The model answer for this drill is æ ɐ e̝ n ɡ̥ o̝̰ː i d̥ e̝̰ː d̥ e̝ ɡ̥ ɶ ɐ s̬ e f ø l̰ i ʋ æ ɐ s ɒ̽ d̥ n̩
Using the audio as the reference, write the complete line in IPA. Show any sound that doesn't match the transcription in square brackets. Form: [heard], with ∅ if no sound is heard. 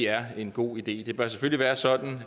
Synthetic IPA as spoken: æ ɐ e̝ n ɡ̥ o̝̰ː i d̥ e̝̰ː d̥ e̝ [b̥] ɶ ɐ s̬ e f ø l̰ i ʋ [æː] ɐ s ɒ̽ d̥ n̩